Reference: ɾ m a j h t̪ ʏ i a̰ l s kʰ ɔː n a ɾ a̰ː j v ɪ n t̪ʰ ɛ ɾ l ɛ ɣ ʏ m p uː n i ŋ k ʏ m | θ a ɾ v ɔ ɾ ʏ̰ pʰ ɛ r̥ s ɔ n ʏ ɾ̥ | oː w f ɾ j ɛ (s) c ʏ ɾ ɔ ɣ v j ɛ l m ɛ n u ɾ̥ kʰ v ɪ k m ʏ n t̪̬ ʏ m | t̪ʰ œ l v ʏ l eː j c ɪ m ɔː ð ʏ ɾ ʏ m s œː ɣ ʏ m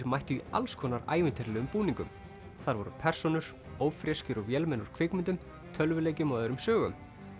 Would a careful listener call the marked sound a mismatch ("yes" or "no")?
no